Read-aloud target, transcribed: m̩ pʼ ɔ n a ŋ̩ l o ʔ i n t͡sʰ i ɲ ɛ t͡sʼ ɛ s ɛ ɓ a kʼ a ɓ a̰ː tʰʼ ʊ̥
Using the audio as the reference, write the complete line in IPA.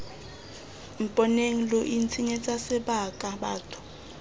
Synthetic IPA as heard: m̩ pʼ ɔ n e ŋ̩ l o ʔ i n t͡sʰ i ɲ ɛ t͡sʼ a s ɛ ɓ a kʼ a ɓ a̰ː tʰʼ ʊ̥